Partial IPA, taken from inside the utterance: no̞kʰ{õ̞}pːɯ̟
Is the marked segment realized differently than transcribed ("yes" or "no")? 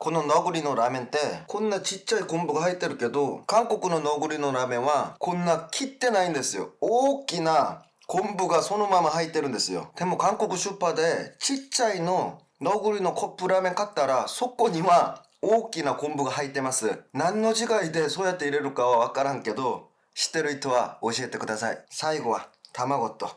yes